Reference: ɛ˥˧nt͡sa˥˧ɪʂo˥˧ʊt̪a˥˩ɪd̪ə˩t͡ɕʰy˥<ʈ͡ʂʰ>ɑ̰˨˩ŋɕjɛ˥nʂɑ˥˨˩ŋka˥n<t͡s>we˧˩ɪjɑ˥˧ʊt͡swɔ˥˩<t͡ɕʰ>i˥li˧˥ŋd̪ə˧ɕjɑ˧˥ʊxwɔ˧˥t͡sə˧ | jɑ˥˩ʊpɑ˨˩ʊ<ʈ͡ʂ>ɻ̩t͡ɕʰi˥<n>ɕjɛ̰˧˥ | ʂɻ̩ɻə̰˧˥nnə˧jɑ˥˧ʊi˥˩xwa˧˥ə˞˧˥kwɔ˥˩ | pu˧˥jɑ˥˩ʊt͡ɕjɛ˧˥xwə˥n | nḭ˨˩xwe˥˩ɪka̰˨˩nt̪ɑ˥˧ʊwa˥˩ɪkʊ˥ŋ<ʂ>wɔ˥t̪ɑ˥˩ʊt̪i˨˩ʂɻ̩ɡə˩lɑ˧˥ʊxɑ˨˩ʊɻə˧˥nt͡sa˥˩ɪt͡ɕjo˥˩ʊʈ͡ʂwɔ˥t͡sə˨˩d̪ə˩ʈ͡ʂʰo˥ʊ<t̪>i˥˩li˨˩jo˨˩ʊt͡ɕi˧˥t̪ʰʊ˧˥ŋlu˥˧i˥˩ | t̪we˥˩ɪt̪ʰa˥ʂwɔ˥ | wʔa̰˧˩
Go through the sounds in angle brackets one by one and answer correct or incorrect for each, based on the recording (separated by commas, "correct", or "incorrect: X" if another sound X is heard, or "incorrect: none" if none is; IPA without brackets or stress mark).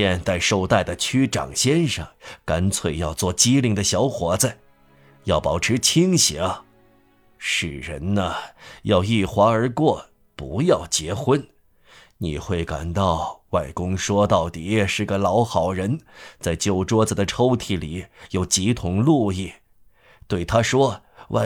incorrect: ʈ͡ʂ, incorrect: t͡sʰ, incorrect: t͡ɕ, incorrect: ʈ͡ʂʰ, incorrect: ŋ, correct, incorrect: t̪ʰ